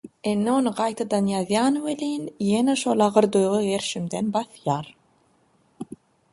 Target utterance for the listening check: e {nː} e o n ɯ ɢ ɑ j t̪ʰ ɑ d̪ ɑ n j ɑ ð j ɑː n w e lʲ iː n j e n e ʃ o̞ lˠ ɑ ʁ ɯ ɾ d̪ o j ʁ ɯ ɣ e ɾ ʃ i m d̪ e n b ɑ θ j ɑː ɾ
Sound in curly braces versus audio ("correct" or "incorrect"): correct